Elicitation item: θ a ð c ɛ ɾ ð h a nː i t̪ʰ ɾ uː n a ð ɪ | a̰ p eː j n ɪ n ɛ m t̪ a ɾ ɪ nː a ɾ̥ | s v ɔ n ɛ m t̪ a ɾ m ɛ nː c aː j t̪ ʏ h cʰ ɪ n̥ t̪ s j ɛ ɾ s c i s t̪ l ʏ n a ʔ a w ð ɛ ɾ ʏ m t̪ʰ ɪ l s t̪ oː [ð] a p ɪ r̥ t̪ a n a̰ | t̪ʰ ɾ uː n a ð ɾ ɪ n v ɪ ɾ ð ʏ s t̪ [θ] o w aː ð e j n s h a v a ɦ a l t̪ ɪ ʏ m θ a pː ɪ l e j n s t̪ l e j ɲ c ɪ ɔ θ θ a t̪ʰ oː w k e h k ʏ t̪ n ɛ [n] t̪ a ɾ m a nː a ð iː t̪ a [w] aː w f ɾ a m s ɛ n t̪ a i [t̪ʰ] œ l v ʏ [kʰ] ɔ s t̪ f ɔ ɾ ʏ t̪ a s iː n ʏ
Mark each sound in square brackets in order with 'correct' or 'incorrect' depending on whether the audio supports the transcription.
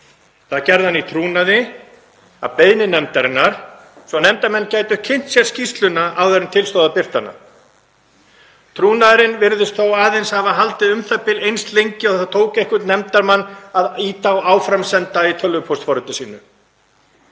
correct, correct, incorrect: m, correct, correct, incorrect: pʰ

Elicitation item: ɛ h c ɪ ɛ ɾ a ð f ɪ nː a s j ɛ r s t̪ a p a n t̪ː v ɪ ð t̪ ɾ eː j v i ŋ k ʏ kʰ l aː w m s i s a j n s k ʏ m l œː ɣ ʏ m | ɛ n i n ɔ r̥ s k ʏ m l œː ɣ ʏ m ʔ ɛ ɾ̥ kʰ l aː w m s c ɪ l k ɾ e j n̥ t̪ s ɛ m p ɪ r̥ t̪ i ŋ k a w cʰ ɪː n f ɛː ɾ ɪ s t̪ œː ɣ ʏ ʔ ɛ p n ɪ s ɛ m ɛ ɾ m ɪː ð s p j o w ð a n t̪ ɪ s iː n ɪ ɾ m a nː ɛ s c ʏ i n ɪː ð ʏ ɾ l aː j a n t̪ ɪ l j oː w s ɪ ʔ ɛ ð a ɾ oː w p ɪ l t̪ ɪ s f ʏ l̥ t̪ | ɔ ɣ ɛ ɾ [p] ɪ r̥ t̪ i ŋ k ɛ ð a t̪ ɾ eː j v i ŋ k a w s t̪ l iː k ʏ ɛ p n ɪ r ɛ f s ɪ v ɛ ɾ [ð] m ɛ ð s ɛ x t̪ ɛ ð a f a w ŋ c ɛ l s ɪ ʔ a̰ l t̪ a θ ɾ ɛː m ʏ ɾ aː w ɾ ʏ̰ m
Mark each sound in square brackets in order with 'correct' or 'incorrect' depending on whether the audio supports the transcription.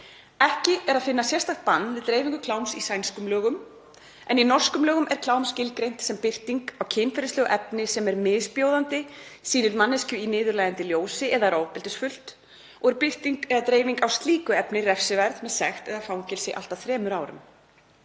correct, correct

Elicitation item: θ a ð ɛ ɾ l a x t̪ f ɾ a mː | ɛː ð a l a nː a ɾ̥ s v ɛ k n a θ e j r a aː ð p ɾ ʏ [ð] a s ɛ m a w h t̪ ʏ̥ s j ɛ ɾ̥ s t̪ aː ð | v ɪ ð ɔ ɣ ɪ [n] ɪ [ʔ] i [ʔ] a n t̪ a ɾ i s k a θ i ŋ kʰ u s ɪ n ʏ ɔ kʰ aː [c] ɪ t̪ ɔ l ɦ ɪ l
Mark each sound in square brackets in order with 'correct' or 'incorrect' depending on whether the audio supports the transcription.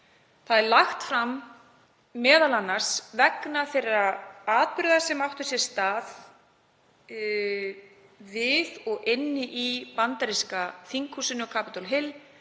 correct, incorrect: nː, correct, incorrect: p, incorrect: p

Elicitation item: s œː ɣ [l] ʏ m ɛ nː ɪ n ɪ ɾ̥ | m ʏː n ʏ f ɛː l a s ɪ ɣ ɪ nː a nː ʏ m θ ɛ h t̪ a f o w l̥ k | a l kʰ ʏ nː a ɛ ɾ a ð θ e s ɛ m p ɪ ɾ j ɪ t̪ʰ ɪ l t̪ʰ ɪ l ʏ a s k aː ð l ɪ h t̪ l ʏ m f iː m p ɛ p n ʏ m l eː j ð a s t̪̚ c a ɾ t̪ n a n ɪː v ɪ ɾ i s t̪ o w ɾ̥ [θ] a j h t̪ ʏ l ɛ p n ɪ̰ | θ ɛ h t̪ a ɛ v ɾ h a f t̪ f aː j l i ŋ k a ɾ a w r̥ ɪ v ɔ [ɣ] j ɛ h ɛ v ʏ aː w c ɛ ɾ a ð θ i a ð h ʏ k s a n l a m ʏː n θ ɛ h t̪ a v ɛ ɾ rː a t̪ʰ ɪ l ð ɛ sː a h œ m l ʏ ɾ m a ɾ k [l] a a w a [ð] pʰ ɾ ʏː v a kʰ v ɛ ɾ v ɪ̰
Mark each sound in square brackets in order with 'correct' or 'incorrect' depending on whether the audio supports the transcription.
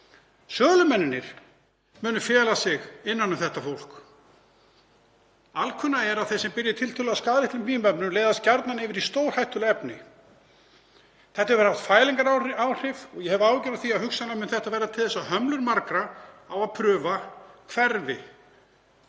correct, incorrect: h, correct, incorrect: ɾ, correct

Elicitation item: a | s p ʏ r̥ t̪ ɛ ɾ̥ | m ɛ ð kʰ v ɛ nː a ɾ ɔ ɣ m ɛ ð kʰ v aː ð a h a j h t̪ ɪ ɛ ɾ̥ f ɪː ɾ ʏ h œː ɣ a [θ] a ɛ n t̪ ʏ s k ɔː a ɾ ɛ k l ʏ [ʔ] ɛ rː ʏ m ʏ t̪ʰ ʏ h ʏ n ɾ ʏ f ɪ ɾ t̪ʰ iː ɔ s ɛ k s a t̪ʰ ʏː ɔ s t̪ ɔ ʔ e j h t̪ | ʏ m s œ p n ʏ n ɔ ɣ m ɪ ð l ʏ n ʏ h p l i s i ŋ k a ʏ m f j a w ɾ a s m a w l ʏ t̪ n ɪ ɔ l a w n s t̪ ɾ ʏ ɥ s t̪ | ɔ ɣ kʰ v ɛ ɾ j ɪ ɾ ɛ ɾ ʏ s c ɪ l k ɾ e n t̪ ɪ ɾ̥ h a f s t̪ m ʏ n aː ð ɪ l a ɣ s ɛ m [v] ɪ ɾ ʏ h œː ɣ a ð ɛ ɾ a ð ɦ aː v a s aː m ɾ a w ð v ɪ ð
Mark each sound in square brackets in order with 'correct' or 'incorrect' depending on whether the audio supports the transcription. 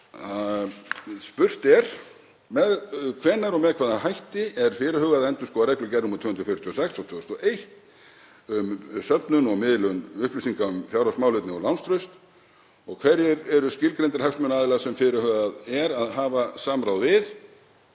incorrect: ð, incorrect: c, incorrect: f

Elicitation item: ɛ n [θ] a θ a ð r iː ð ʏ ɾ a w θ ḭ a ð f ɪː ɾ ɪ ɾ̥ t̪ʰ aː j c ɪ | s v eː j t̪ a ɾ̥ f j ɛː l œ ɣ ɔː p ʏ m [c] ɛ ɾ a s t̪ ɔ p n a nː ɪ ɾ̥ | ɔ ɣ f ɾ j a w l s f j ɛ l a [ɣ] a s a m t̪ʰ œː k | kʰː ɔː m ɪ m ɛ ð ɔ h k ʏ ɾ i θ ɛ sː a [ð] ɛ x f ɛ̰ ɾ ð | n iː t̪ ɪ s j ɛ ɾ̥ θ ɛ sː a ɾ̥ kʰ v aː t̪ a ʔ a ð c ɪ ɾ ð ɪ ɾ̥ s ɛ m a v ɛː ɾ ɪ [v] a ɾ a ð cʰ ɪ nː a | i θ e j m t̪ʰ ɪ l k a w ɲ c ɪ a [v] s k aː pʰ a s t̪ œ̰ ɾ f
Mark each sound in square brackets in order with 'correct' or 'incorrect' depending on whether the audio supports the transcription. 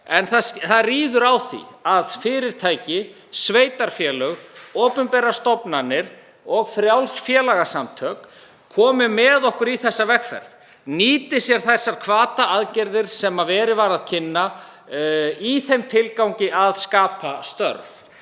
correct, incorrect: p, correct, incorrect: v, correct, incorrect: ð

